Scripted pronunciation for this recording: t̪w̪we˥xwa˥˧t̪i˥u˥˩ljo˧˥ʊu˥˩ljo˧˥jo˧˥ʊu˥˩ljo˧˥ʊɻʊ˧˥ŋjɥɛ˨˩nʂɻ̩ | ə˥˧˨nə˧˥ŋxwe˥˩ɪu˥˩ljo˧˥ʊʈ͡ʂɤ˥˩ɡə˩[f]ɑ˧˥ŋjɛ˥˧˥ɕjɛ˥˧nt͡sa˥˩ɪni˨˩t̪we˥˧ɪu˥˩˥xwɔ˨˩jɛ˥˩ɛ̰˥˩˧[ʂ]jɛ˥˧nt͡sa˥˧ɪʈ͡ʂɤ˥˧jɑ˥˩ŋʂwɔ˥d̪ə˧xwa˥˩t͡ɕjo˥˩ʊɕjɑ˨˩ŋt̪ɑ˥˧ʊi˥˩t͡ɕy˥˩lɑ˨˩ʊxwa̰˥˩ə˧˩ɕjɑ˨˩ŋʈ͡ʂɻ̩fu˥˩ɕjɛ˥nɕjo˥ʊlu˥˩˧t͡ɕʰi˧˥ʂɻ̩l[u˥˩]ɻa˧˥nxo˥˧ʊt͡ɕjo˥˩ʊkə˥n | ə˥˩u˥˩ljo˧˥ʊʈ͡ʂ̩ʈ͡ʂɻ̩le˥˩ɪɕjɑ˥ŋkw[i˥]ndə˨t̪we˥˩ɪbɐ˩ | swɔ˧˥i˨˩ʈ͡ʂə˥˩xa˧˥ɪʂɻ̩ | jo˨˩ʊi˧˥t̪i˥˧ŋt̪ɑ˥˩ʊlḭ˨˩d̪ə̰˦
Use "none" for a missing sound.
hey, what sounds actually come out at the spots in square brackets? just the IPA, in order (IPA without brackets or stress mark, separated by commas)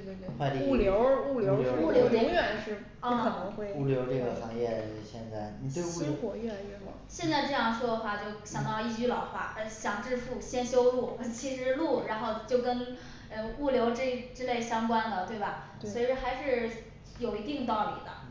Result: x, ɕ, u˥˩, a˥